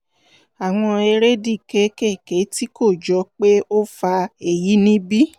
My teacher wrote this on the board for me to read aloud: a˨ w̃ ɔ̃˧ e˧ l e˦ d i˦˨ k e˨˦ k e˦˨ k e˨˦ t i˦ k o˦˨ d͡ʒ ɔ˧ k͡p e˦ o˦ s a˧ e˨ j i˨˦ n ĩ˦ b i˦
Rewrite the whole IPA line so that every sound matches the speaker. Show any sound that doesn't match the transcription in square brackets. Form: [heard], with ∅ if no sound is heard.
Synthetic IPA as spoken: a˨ w̃ ɔ̃˧ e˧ [ɾ] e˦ d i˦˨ k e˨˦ k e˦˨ k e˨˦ t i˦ k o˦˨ d͡ʒ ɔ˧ k͡p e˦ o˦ [f] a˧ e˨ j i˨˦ n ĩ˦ b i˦